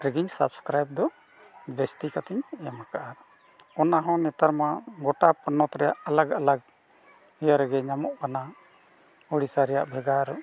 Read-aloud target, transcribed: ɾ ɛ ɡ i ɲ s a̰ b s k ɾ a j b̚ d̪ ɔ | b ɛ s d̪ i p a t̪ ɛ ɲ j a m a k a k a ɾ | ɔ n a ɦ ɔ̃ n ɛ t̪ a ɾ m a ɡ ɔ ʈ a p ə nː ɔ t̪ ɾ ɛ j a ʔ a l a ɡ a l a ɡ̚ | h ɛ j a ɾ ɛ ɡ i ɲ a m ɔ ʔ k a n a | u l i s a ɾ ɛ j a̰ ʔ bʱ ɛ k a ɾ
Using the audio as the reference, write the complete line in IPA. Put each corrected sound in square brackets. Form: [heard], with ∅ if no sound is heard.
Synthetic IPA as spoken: ɾ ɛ ɡ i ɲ s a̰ b s k ɾ a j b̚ d̪ ɔ | b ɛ s [t̪] i [k] a t̪ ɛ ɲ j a m a k a [ʔ] a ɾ | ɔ n a ɦ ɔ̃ n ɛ t̪ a ɾ m a ɡ ɔ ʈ a p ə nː ɔ t̪ ɾ ɛ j a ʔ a l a ɡ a l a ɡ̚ | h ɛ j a ɾ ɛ ɡ [ɛ] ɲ a m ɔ ʔ k a n a | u [ɽ] i s a ɾ ɛ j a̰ ʔ bʱ ɛ [ɡ] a ɾ